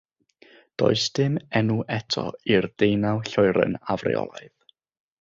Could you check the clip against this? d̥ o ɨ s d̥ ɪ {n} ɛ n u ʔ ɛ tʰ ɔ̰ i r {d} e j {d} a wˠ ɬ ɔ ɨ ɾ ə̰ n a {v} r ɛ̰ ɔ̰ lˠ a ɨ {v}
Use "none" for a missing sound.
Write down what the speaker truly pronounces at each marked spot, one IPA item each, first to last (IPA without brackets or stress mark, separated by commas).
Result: m, d, n, v, ð